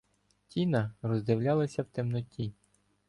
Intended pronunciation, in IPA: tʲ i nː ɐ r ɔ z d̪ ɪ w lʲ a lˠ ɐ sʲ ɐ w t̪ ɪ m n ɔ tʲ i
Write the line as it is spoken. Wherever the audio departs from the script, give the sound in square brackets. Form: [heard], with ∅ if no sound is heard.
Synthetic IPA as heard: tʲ i [n] ɐ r ɔ z d̪ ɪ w lʲ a lˠ ɐ sʲ ɐ w t̪ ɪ m n ɔ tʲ i